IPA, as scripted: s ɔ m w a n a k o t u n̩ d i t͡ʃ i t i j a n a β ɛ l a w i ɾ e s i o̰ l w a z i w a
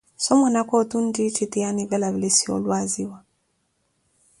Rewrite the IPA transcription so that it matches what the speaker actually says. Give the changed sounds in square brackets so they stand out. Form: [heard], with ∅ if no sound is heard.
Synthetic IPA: s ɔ m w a n a k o t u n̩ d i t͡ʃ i t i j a n [i] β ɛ l a [β] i [l] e s i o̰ l w a z i w a